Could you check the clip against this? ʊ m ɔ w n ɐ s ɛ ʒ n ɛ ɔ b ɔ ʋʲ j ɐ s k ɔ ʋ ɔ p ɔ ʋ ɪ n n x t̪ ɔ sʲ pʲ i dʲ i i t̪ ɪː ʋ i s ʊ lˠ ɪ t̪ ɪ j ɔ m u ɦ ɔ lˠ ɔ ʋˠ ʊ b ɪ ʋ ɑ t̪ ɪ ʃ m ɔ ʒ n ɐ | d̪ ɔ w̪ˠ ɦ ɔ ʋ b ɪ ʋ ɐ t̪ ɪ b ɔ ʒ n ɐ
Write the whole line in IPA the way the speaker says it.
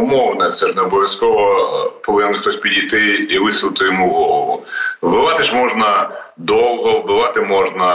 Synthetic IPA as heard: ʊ m ɔ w n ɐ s ɛ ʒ n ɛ ɔ b ɔ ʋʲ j ɐ s k ɔ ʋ ɔ p ɔ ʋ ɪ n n x t̪ ɔ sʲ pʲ i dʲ i j t̪ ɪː ʋ ɪ s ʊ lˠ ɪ t̪ ɪ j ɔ m u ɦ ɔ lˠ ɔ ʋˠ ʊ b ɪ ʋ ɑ t̪ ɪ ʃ m ɔ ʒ n ɐ | d̪ ɔ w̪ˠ ɦ ɔ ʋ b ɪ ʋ ɑ t̪ ɪ m ɔ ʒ n ɐ